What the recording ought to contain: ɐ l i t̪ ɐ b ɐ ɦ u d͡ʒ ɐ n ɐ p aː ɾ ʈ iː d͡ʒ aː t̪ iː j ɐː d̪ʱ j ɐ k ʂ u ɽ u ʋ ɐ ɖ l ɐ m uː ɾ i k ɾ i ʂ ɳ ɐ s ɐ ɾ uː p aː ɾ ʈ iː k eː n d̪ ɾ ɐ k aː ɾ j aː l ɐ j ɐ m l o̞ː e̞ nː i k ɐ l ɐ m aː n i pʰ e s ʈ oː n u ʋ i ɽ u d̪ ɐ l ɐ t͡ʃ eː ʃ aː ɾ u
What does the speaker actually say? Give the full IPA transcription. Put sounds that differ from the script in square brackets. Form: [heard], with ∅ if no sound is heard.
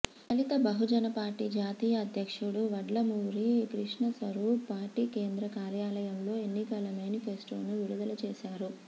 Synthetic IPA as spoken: ɐ l i t̪ ɐ b ɐ ɦ u d͡ʒ ɐ n ɐ p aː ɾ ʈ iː d͡ʒ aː t̪ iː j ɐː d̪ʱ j ɐ k ʂ u ɽ u ʋ ɐ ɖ l ɐ m uː ɾ i k ɾ i ʂ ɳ ɐ s ɐ ɾ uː p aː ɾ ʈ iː k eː n d̪ ɾ ɐ k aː ɾ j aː l ɐ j ɐ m l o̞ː e̞ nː i k ɐ l ɐ m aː n i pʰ e s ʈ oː n u ʋ i ɽ u d̪ ɐ l ɐ t͡ʃ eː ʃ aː ɾ u